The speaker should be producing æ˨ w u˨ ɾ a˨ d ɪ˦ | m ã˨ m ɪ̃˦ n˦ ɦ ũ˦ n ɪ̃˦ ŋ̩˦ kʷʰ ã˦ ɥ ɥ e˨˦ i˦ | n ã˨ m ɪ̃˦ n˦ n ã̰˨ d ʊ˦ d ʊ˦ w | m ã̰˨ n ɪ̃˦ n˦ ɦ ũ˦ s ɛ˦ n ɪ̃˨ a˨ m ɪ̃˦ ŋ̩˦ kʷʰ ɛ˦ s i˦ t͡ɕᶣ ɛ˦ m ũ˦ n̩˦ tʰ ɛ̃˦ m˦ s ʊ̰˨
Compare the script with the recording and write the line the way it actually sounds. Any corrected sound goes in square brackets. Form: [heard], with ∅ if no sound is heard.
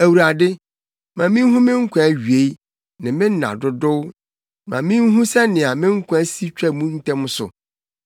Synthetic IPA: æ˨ w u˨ ɾ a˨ d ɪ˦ | m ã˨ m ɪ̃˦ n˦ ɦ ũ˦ [m] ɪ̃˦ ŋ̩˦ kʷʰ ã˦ ɥ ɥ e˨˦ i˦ | n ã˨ m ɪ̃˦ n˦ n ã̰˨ d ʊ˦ d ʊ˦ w | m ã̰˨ [m] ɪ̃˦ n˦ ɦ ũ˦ s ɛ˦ n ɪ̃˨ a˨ m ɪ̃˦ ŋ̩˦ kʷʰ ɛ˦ s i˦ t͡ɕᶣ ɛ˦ m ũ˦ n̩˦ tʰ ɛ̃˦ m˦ s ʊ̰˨